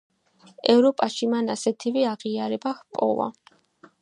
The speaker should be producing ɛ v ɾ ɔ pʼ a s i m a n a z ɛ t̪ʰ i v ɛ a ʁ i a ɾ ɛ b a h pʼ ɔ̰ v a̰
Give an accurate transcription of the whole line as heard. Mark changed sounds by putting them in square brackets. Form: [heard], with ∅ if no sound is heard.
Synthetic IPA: ɛ v ɾ ɔ pʼ a [ʃ] i m a n a [s] ɛ t̪ʰ i v ɛ a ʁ i a ɾ ɛ b a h pʼ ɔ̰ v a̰